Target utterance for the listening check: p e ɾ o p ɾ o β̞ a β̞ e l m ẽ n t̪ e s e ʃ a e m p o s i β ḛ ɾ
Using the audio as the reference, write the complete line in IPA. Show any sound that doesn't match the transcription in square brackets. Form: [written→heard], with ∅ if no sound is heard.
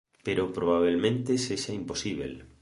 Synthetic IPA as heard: p e ɾ o p ɾ o β̞ a β̞ e l m ẽ n t̪ e s e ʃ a [e→i] m p o s i β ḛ [ɾ→l]